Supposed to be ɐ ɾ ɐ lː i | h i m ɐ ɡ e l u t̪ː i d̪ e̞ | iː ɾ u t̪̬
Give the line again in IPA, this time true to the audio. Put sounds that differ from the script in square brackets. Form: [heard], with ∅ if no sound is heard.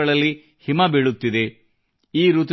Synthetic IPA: ɐ [ɭ] ɐ lː i | h i m ɐ [b] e [ɭ] u t̪ː i d̪ e̞ | iː ɾ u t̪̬

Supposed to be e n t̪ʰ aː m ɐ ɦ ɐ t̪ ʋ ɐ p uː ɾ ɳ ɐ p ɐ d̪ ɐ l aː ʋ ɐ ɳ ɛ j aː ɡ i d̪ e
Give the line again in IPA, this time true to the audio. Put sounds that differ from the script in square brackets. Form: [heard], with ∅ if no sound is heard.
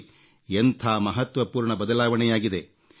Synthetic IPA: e n t̪ʰ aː m ɐ ɦ ɐ t̪ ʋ ɐ p uː ɾ ɳ ɐ [b] ɐ d̪ ɐ l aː ʋ ɐ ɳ ɛ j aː ɡ i d̪ e

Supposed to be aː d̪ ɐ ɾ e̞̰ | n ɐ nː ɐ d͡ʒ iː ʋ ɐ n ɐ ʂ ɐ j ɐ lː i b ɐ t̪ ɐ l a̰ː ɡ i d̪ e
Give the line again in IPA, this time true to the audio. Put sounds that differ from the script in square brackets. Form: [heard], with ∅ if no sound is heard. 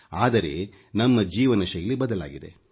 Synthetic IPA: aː d̪ ɐ ɾ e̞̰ | n ɐ [mː] ɐ d͡ʒ iː ʋ ɐ n ɐ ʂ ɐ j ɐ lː i b ɐ [d̪] ɐ l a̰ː ɡ i d̪ e

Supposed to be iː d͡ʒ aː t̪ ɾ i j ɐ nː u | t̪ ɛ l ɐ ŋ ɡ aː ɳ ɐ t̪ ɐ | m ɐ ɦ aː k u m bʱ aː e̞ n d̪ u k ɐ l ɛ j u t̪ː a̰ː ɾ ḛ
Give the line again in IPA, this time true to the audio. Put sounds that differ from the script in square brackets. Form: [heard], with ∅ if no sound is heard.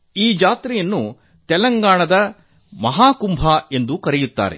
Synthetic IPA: iː d͡ʒ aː t̪ ɾ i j ɐ nː u | t̪ ɛ l ɐ ŋ ɡ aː ɳ ɐ [d̪] ɐ | m ɐ ɦ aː k u m bʱ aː e̞ n d̪ u k ɐ [ɾ] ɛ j u t̪ː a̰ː ɾ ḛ

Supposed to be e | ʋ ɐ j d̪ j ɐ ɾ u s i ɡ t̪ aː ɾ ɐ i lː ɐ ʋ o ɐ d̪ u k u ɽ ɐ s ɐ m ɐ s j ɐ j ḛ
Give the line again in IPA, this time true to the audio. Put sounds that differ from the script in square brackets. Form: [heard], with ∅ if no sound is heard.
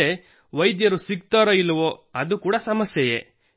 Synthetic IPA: e | ʋ ɐ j d̪ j ɐ ɾ u s i ɡ t̪ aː ɾ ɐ i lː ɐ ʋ o ɐ d̪ u k [uː] ɽ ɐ s ɐ m ɐ s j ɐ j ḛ

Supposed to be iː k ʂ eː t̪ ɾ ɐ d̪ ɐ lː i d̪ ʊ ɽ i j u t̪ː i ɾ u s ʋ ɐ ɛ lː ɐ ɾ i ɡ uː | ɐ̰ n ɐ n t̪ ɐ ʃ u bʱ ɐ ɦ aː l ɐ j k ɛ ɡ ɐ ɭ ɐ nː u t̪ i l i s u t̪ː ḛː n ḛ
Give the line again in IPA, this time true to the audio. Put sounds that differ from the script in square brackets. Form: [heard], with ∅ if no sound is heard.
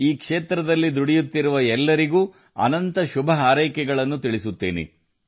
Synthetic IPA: iː k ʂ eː t̪ ɾ ɐ d̪ ɐ lː i d̪ [u] ɽ i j u t̪ː i ɾ u [∅] ʋ ɐ ɛ lː ɐ ɾ i ɡ uː | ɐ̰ n ɐ n t̪ ɐ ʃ u bʱ ɐ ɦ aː [ɾ] ɐ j k ɛ ɡ ɐ ɭ ɐ nː u t̪ i [ɭ] i s u t̪ː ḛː n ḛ

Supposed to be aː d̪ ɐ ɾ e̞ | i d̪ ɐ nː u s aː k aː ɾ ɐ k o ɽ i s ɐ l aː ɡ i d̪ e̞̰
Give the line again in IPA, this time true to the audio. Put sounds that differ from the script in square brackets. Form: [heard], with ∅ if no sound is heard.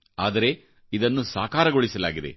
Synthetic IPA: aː d̪ ɐ ɾ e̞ | i d̪ ɐ nː u s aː k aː ɾ ɐ [ɡ] o [ɭ] i s ɐ l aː ɡ i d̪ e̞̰

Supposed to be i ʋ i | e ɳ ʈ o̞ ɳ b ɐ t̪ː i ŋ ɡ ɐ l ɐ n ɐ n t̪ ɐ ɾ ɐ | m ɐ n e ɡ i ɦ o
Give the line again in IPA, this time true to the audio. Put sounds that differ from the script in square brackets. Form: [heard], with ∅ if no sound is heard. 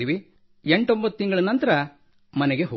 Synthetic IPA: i ʋ i | e ɳ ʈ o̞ [m] b ɐ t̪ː i ŋ ɡ ɐ [ɭ] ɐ n ɐ n t̪ ɐ ɾ ɐ | m ɐ n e ɡ [e] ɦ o

